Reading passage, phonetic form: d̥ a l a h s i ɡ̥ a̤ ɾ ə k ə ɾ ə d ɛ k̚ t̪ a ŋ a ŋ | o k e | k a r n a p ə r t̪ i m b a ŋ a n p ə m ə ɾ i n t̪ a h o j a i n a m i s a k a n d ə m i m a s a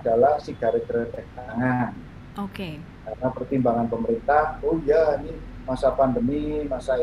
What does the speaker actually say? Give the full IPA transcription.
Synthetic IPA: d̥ a l a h s i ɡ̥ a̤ ɾ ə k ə ɾ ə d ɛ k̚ t̪ a ŋ a n | o k e | k a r n a p ə r t̪ i m b a ŋ a n p ə m ə ɾ i n t̪ a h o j a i n i m a s a p a n d ə m i m a s a